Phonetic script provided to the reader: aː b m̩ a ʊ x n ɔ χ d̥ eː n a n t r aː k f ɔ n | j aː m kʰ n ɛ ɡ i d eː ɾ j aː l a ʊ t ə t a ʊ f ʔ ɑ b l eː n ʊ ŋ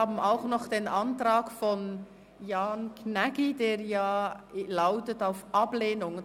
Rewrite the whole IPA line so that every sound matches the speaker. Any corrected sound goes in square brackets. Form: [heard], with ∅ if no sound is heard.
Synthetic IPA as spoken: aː b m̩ a ʊ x n ɔ χ d̥ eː n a n t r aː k f ɔ n | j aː [n] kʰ n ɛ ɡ i d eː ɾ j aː l a ʊ t ə t a ʊ f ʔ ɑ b l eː n ʊ ŋ